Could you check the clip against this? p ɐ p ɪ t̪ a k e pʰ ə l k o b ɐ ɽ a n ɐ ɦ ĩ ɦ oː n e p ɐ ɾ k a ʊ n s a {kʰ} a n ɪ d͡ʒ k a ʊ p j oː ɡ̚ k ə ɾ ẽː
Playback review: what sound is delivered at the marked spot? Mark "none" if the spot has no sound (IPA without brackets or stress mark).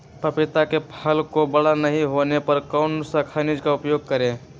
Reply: kʰ